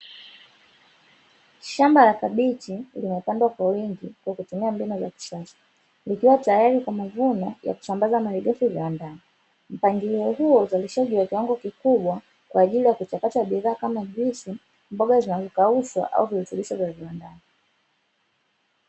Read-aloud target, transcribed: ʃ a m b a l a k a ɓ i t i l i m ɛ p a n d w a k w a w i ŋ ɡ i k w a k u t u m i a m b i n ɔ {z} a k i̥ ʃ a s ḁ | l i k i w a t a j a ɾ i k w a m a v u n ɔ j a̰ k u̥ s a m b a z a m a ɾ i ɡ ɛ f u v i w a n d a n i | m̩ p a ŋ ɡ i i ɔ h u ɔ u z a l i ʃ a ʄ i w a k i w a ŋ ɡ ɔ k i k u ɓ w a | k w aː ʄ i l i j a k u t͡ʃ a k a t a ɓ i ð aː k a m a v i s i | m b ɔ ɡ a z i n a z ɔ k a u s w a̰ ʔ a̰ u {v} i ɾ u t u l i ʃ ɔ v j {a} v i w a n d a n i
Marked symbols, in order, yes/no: yes, yes, yes

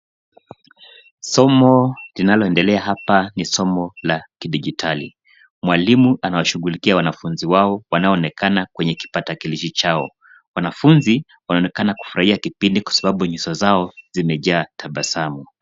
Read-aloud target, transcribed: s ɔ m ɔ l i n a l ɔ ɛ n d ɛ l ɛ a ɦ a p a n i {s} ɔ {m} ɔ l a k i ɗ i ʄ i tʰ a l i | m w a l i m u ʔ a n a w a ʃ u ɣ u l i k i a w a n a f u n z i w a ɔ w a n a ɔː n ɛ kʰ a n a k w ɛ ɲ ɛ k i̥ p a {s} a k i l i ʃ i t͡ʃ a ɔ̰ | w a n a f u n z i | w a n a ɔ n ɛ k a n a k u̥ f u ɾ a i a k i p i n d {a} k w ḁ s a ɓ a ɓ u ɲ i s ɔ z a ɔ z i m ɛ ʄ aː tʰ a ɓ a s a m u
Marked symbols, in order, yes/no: yes, yes, no, no

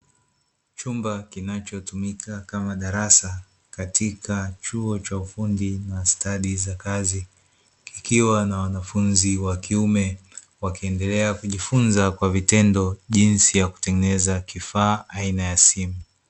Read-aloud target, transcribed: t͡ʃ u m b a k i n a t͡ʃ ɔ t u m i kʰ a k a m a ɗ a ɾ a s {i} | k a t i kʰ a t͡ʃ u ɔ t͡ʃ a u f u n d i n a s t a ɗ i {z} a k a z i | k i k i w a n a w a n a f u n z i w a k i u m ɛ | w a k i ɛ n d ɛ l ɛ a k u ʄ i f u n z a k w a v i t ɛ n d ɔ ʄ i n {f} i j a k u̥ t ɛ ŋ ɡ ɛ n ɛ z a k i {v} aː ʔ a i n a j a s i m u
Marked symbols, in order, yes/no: no, yes, no, no

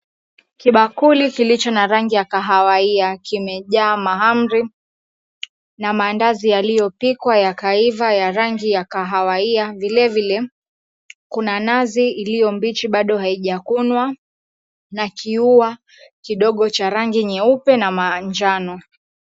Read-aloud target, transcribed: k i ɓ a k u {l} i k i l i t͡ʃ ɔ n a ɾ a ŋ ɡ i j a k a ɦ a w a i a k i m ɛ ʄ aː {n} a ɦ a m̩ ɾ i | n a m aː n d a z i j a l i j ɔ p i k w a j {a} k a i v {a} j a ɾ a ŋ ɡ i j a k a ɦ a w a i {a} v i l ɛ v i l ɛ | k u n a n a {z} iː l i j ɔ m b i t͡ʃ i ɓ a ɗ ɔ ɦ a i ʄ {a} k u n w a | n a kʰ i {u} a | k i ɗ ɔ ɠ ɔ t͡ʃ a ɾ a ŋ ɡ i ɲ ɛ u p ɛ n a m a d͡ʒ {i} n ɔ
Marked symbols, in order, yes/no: yes, no, yes, yes, yes, yes, yes, yes, no

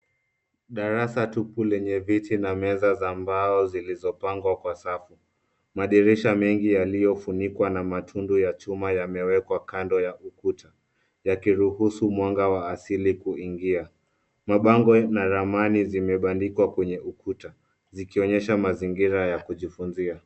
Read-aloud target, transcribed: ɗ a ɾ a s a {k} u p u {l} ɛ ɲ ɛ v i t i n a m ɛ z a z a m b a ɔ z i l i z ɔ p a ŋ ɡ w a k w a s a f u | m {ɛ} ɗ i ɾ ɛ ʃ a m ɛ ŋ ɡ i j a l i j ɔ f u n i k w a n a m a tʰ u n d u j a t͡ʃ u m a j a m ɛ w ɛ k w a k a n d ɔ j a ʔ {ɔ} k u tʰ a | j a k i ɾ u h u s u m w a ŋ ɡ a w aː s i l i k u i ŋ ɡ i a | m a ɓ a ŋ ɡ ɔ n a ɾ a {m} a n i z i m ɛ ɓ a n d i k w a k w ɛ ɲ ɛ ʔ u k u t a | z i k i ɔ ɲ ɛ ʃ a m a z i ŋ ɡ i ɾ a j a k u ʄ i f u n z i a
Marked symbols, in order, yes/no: no, yes, no, no, yes

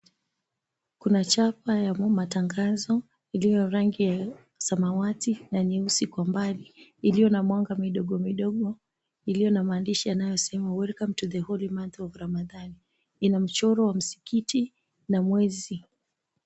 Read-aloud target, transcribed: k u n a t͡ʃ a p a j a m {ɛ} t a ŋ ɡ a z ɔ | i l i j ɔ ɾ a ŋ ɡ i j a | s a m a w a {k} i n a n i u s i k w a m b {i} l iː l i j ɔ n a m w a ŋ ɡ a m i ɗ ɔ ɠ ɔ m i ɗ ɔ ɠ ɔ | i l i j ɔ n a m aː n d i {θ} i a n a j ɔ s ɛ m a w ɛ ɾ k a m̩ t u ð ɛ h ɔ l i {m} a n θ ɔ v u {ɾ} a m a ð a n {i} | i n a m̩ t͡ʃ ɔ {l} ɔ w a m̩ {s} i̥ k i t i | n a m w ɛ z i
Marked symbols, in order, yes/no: no, no, no, no, yes, yes, yes, no, yes

